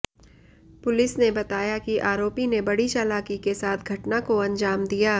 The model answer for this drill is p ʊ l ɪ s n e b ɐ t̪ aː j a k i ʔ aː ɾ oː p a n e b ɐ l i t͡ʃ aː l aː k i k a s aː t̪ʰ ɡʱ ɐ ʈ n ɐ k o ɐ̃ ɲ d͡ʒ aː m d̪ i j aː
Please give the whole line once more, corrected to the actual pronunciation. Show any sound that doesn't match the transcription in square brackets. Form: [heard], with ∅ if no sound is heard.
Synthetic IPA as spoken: p ʊ l ɪ s n e b ɐ t̪ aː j a k i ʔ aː ɾ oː p [i] n e b ɐ [ɽ] i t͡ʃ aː l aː k i k [e] s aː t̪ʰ ɡʱ ɐ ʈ n [a] k o ɐ̃ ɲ d͡ʒ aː m d̪ i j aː